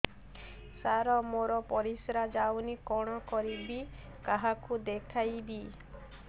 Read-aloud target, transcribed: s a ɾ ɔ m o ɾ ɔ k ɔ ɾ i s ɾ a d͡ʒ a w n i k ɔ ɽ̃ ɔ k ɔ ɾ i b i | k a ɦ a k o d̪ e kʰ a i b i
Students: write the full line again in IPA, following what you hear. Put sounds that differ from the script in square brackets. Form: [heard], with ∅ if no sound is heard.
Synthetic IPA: s a ɾ ɔ m o ɾ ɔ [p] ɔ ɾ i s ɾ a d͡ʒ a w n i k ɔ ɽ̃ ɔ k ɔ ɾ i b i | k a ɦ a k [u] d̪ e kʰ a [j] b i